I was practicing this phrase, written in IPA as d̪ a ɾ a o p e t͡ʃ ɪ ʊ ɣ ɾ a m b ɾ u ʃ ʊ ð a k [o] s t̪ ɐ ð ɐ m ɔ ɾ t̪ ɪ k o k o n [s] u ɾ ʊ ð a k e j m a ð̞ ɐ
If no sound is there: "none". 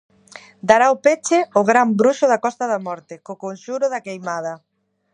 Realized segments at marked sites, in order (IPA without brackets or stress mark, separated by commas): ɔ, ʃ